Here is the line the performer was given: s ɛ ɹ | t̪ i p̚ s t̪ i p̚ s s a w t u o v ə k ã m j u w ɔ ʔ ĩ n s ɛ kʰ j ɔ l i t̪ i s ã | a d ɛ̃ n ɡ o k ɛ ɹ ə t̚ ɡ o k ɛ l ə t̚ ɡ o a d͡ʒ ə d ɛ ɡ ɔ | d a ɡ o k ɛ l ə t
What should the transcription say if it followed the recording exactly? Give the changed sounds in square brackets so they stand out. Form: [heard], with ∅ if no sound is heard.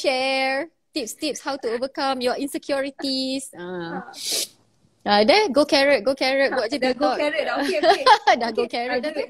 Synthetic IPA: [ʃ] ɛ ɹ | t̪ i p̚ s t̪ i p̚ s [h] a w t u o v ə k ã m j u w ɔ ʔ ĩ n s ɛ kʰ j ɔ [ɹ] i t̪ i s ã | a d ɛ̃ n ɡ o k ɛ ɹ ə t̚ ɡ o k ɛ [ɹ] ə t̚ ɡ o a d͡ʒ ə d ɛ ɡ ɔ | d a ɡ o k ɛ [ɹ] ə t